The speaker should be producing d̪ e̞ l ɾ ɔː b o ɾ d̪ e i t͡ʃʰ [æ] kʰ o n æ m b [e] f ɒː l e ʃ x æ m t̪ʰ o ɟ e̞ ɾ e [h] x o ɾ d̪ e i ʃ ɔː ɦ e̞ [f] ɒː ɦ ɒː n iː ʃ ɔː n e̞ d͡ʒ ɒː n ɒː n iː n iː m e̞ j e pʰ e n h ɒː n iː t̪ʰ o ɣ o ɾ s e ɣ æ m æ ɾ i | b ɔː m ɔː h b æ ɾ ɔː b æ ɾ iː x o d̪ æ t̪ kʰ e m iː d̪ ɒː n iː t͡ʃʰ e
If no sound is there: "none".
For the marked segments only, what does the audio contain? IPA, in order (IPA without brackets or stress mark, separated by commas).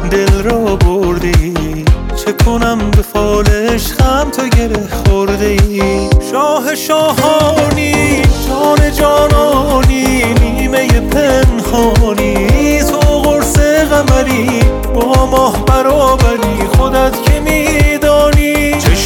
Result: e, e, h, ʃ